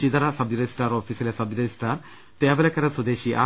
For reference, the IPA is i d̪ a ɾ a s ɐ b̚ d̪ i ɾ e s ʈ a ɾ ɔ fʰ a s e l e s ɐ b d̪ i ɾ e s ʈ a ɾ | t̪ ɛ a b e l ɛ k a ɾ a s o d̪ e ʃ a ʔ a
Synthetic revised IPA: i d̪ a ɾ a s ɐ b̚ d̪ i ɾ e s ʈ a ɾ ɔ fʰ i s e l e s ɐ b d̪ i ɾ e s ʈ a ɾ | t̪ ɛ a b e l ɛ k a ɾ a s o d̪ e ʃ i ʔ a